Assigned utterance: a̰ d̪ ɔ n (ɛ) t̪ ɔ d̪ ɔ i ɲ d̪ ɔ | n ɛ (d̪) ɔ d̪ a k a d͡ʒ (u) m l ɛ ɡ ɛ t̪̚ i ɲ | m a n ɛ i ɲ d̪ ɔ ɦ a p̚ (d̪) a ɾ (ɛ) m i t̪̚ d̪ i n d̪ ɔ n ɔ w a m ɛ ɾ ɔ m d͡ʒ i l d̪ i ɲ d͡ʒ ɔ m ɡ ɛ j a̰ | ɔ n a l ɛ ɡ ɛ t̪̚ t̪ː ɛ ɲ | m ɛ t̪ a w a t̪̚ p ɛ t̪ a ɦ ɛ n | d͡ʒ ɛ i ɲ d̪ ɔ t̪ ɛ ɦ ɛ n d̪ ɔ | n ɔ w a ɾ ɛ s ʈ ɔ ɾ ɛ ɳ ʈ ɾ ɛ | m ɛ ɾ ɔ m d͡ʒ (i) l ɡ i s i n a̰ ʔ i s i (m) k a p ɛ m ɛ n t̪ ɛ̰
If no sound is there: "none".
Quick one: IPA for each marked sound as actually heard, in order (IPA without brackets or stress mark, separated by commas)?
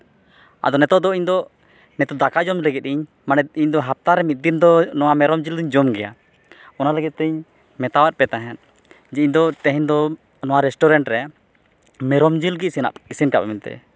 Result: ɛ, t̪, ɔ, t̪, ɛ, i, n